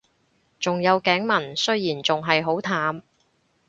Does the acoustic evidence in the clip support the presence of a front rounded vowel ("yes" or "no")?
no